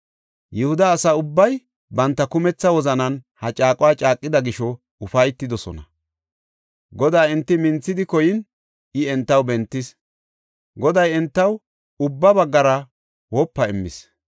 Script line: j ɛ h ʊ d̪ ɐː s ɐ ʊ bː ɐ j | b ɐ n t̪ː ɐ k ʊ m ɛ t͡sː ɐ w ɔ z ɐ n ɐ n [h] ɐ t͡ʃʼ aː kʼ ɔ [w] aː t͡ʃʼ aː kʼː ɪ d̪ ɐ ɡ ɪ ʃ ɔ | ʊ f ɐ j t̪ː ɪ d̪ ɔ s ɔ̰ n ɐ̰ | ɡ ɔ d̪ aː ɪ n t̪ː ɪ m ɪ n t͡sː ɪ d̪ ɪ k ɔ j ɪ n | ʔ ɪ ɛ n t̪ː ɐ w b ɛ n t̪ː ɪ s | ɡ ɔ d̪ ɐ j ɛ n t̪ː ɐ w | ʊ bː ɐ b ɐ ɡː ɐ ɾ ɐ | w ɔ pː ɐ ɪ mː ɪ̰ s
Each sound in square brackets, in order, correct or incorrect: correct, correct

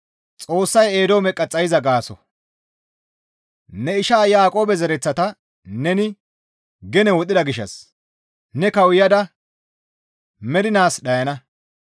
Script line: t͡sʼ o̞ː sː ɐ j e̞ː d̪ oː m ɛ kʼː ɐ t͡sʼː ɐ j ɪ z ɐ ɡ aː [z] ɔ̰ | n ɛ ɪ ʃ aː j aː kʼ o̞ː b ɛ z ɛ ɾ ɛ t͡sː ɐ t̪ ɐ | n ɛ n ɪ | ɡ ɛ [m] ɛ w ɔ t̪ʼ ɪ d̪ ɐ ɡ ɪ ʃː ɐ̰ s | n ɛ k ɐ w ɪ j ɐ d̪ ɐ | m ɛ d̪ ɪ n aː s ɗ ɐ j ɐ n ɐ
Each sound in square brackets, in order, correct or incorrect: incorrect, incorrect

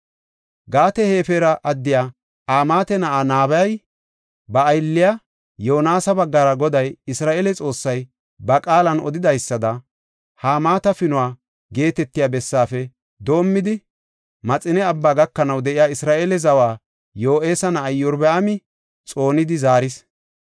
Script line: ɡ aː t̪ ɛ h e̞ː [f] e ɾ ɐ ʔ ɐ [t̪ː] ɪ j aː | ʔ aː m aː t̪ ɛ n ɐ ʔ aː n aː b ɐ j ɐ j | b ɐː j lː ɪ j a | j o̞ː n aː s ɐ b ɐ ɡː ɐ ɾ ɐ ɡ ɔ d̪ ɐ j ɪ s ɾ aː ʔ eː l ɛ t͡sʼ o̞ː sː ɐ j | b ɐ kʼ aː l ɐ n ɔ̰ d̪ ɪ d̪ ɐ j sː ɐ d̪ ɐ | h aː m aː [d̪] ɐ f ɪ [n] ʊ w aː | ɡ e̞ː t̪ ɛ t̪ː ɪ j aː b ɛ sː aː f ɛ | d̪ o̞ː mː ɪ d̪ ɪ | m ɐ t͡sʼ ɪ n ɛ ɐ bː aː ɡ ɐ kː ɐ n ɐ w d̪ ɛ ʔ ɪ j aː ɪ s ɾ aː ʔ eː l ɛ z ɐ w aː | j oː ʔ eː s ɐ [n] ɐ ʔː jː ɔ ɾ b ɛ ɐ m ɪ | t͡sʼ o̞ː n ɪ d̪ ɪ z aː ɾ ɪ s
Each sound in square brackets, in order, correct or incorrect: correct, incorrect, incorrect, correct, correct

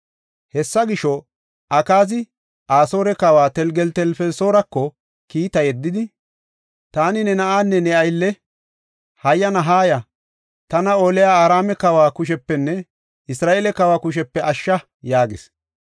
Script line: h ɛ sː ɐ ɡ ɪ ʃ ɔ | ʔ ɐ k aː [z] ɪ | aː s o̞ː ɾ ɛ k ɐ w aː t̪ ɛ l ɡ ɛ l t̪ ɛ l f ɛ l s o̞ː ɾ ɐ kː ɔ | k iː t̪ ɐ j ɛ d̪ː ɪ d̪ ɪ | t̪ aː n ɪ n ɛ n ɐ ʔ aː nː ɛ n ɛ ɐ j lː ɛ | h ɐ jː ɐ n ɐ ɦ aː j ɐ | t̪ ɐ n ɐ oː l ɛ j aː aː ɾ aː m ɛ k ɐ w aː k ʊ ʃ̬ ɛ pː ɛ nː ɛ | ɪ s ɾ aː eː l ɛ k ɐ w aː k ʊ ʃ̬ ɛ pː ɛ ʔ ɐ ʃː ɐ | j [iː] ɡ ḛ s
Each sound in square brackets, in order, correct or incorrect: correct, incorrect

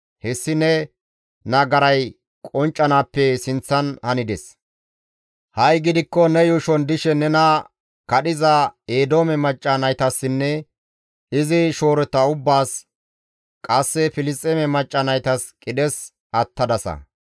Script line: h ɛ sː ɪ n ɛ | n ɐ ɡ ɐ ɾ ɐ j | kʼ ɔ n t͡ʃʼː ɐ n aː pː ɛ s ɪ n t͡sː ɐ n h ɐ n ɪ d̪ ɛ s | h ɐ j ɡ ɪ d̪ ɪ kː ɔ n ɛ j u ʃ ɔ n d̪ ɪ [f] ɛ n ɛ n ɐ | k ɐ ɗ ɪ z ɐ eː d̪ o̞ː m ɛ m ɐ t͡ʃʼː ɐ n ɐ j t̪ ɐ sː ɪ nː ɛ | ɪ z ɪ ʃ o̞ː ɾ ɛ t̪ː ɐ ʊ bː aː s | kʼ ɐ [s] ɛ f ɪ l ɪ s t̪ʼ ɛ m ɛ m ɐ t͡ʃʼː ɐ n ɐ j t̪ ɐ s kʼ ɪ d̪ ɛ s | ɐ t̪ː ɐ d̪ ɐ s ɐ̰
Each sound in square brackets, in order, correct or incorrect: incorrect, incorrect

